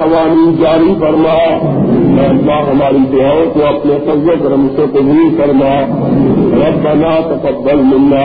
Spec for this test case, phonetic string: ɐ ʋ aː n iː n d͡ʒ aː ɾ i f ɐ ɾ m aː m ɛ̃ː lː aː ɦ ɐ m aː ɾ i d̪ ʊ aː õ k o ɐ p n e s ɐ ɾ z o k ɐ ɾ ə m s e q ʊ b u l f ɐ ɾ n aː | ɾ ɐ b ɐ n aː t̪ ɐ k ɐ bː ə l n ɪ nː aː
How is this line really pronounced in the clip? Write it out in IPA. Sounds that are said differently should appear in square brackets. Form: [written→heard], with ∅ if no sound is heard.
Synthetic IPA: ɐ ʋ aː n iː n d͡ʒ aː ɾ i f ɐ ɾ m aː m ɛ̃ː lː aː ɦ ɐ m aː ɾ i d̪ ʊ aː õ k o ɐ p n e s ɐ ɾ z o k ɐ ɾ ə m s e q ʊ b u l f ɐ ɾ [n→m] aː | ɾ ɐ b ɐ n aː t̪ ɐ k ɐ bː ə l [n→m] ɪ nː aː